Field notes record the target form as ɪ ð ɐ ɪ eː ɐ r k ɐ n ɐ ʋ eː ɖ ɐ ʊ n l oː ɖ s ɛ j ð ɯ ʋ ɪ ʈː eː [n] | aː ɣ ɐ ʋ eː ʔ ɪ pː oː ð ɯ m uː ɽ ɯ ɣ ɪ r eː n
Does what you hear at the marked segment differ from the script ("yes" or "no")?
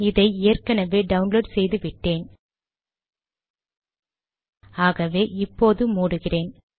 no